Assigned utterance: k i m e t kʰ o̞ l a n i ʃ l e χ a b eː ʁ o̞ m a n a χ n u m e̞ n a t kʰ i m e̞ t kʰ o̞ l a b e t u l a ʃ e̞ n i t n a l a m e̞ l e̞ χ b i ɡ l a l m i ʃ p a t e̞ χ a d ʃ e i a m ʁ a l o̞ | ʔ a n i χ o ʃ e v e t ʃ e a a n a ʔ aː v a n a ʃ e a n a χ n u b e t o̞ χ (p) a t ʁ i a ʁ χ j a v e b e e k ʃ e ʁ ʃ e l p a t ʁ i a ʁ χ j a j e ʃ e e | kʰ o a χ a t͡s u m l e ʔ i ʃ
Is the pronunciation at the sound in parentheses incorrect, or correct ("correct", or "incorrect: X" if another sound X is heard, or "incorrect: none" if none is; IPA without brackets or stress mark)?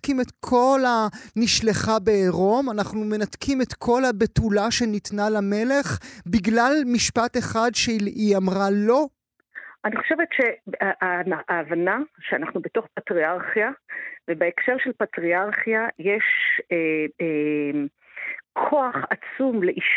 correct